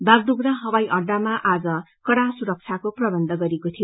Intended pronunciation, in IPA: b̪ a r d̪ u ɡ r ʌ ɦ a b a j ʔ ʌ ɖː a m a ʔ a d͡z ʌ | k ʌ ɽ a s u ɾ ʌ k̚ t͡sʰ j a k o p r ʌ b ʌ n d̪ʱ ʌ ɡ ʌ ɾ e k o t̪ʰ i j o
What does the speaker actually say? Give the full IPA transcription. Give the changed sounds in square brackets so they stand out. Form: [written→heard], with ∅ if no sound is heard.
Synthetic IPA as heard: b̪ a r d̪ u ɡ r ʌ ɦ [a→ʌ] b a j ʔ ʌ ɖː a m a ʔ a d͡z ʌ | k ʌ ɽ a s u ɾ ʌ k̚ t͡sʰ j a k o p r ʌ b ʌ n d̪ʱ ʌ ɡ ʌ ɾ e k o t̪ʰ i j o